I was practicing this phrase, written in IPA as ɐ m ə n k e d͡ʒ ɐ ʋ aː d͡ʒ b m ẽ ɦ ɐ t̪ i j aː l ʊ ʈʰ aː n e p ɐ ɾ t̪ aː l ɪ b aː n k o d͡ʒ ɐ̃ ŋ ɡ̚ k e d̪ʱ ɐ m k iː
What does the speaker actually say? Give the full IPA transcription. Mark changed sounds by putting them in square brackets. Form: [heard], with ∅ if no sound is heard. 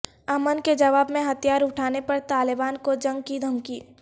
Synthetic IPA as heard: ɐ m ə n k e d͡ʒ ɐ ʋ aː [∅] b m ẽ ɦ ɐ t̪ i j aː [ɾ] ʊ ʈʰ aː n e p ɐ ɾ t̪ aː l ɪ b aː n k o d͡ʒ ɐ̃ ŋ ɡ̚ k [i] d̪ʱ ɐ m k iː